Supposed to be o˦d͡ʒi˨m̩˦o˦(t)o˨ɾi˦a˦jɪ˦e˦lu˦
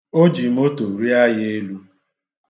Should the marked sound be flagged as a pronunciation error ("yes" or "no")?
no